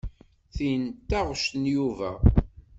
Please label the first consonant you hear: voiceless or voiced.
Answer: voiceless